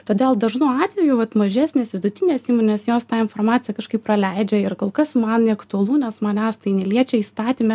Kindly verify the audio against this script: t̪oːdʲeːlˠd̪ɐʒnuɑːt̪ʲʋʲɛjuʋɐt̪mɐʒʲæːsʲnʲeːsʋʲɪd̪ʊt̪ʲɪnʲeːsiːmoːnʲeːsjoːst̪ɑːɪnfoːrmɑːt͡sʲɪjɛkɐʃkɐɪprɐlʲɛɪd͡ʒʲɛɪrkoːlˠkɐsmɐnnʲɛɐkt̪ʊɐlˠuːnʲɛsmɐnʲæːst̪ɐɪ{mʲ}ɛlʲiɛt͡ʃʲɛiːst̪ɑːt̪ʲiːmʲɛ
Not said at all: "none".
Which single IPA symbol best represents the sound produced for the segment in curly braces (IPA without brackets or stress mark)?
nʲ